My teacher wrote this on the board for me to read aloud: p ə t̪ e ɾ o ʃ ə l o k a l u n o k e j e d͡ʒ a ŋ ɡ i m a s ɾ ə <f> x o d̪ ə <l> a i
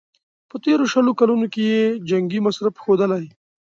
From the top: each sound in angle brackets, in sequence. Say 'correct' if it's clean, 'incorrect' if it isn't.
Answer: correct, correct

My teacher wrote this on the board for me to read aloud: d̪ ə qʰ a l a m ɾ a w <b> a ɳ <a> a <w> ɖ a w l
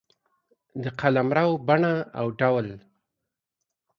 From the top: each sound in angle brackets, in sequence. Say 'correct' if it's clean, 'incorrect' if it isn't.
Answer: correct, correct, correct

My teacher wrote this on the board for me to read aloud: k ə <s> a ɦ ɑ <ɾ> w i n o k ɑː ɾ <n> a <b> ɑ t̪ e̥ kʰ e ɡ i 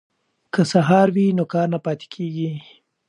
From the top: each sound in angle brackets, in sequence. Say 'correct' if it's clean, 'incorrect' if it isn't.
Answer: correct, correct, correct, incorrect

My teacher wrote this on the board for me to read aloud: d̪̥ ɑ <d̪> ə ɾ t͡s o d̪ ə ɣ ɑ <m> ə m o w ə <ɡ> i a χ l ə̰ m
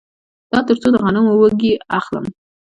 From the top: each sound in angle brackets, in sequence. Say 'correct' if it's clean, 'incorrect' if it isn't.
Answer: incorrect, incorrect, correct

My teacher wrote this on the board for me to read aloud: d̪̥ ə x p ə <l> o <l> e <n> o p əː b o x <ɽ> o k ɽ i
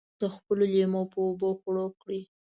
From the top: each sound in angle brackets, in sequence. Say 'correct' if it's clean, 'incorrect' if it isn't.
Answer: correct, correct, incorrect, correct

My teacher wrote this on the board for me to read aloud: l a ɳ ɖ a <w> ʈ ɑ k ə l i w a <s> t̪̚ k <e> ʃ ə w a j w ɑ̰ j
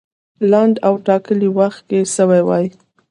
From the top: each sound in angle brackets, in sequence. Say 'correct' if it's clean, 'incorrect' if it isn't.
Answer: correct, incorrect, correct

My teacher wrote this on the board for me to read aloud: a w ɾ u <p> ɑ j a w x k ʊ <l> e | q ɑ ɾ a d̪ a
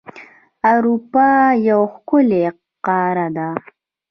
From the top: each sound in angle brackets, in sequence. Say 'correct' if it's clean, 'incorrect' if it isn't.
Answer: correct, correct

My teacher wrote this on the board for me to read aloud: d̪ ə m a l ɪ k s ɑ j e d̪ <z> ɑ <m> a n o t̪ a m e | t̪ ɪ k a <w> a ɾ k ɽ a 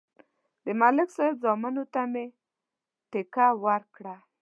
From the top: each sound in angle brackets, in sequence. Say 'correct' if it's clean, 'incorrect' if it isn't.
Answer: correct, correct, correct

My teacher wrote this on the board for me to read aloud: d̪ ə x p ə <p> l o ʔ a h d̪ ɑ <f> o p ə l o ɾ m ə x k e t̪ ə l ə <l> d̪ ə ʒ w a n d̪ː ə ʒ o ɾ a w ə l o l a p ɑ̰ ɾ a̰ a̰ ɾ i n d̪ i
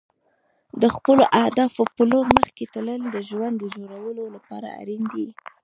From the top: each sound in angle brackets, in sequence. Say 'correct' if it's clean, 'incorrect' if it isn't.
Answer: incorrect, correct, correct

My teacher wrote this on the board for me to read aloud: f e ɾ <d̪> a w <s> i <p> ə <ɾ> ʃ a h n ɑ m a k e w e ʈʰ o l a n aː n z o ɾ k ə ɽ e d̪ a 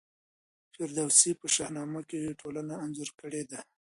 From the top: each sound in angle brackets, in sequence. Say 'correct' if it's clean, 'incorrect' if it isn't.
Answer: correct, correct, correct, incorrect

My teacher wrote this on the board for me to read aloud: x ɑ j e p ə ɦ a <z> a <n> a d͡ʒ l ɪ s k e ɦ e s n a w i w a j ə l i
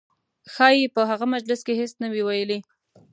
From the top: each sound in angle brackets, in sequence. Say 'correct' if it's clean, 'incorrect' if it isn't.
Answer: incorrect, incorrect

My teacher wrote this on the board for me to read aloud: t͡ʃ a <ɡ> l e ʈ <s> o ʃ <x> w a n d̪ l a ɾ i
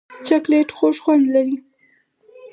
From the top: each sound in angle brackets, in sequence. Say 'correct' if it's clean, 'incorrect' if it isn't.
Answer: incorrect, incorrect, correct

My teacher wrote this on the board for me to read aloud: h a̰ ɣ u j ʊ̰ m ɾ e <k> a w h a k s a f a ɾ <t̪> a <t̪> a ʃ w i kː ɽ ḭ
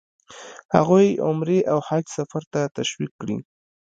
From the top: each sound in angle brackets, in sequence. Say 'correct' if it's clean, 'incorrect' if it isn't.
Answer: incorrect, correct, correct

